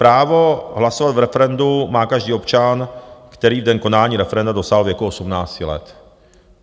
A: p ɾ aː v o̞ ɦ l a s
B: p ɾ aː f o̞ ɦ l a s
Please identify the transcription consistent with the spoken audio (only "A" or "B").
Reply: A